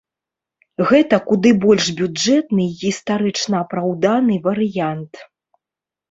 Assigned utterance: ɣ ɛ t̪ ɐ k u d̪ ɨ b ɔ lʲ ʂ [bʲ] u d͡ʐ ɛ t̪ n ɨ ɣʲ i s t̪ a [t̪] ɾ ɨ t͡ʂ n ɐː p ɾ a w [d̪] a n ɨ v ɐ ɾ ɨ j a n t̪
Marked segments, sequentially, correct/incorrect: correct, incorrect, correct

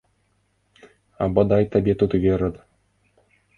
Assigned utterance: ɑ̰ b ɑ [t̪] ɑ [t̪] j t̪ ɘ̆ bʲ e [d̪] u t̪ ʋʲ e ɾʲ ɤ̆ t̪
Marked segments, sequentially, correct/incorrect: incorrect, incorrect, incorrect

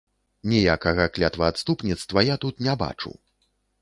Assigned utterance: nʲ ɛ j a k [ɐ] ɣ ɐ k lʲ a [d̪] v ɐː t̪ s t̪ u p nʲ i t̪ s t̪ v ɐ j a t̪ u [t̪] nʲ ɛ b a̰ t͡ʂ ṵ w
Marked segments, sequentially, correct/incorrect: correct, incorrect, correct

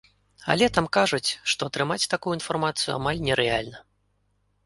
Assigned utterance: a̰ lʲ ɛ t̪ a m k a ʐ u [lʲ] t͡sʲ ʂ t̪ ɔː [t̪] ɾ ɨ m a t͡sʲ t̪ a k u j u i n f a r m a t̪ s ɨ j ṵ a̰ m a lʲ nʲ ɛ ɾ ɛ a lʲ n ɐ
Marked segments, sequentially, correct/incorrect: incorrect, correct

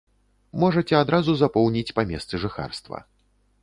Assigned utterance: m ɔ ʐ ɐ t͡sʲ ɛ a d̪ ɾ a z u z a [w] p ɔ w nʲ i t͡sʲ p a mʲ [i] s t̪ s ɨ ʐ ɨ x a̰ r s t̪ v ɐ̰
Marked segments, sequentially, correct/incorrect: incorrect, incorrect

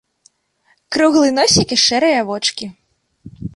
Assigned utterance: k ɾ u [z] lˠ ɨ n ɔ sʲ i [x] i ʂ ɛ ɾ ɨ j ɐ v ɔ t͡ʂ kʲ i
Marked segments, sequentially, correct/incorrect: incorrect, incorrect

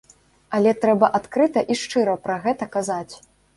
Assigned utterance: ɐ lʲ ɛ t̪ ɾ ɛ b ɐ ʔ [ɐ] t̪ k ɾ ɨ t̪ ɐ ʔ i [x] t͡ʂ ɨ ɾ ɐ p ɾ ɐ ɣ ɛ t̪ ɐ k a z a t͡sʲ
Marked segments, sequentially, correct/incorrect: incorrect, incorrect

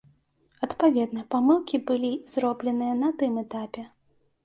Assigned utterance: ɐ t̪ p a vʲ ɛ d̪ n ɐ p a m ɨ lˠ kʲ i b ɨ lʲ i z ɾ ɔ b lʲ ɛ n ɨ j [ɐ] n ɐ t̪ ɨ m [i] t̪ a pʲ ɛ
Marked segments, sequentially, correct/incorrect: correct, incorrect

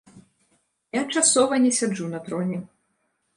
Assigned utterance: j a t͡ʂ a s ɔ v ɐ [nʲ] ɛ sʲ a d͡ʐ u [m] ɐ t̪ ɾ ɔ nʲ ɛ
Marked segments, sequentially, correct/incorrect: correct, incorrect

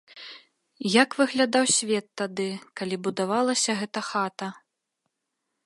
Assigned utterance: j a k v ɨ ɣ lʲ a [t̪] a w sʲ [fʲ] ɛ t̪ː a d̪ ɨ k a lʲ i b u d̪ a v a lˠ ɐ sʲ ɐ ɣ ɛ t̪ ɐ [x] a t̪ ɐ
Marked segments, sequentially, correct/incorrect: incorrect, incorrect, correct

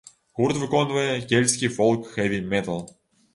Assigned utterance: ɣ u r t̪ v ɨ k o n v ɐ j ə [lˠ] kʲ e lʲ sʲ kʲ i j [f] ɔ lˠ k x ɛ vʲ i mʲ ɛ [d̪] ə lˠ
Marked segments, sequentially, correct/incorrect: incorrect, correct, incorrect

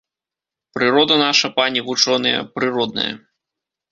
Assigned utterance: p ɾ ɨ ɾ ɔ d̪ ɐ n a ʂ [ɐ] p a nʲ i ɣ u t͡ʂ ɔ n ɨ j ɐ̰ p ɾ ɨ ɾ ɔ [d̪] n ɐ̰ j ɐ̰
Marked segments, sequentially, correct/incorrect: correct, correct

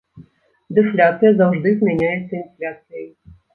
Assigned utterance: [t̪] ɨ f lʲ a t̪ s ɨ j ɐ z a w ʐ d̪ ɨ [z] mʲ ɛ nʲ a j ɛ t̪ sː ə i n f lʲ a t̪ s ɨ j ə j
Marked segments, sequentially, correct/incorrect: incorrect, correct

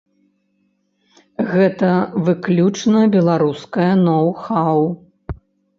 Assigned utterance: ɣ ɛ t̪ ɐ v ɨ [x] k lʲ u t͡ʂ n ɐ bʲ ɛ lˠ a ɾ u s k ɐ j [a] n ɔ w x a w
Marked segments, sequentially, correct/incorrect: incorrect, incorrect

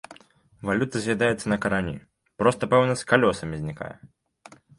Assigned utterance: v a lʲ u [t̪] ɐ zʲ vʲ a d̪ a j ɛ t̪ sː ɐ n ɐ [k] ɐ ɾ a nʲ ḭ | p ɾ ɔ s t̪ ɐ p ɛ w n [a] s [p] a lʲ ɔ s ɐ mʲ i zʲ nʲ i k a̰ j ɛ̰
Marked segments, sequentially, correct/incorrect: correct, correct, incorrect, incorrect

